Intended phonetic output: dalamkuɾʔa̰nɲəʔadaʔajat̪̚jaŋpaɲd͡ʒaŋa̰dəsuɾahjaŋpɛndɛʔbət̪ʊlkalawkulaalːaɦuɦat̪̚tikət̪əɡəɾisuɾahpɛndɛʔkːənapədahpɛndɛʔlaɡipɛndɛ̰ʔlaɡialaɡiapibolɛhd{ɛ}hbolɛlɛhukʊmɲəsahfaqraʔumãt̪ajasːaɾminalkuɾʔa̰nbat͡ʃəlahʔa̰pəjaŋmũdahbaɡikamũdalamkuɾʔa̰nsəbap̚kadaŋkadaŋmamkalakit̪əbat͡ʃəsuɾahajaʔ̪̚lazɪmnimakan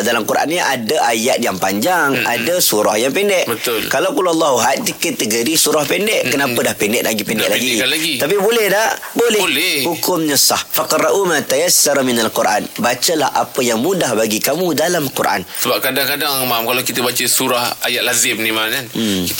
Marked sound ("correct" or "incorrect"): incorrect